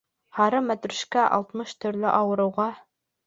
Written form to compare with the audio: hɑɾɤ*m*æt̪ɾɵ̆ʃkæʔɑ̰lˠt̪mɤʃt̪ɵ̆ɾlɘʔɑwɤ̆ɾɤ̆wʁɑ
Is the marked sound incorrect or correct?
correct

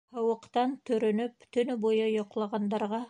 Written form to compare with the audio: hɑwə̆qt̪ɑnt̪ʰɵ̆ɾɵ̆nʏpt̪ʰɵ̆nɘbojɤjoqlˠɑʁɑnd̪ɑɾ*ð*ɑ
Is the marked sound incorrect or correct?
incorrect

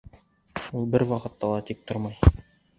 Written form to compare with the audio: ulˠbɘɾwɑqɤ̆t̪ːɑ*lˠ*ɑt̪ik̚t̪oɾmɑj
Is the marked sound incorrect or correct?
correct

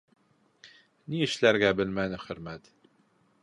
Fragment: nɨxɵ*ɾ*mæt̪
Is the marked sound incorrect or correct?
correct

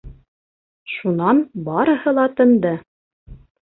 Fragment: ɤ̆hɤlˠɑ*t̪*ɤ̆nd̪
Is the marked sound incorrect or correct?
correct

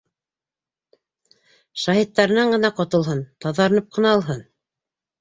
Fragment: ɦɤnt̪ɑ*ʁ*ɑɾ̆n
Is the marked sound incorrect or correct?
incorrect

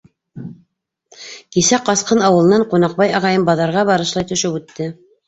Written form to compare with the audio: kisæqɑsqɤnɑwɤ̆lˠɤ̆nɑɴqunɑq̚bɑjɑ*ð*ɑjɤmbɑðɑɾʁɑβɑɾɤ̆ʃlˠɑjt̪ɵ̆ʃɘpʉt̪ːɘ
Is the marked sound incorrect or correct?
incorrect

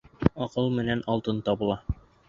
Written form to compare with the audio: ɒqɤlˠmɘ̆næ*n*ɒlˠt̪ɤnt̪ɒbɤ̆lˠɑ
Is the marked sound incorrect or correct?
correct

